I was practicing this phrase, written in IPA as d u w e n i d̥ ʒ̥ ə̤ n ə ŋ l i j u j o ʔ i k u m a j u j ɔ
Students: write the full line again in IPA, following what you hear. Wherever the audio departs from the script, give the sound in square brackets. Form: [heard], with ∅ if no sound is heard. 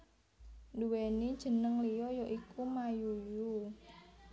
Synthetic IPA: d u w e n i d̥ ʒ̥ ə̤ n ə ŋ l i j [ɔ] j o ʔ i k u m a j u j [u]